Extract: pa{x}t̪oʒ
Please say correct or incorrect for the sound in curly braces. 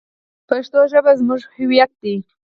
incorrect: ʃ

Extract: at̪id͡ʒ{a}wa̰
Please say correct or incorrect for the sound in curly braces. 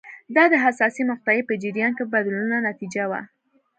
correct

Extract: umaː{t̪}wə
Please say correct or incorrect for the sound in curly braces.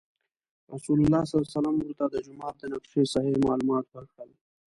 correct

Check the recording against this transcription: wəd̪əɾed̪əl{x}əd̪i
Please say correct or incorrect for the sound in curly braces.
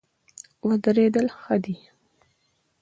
correct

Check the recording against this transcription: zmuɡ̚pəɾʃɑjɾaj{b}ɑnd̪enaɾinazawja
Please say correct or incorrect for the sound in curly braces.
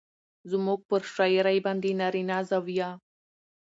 correct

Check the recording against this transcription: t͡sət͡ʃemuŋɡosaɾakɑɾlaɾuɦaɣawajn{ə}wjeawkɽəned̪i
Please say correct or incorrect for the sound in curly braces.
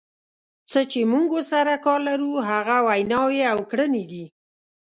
incorrect: ɑ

